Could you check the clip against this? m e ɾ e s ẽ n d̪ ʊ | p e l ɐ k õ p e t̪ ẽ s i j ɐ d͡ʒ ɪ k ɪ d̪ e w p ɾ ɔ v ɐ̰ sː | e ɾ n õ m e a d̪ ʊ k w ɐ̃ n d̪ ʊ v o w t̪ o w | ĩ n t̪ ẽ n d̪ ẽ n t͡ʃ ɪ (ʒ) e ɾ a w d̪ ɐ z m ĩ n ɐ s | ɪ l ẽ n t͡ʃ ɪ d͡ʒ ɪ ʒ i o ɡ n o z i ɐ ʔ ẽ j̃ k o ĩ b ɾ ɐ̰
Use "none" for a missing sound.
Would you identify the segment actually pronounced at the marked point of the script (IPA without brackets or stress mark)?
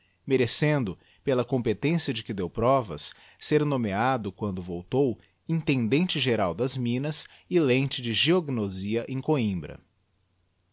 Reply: ʒ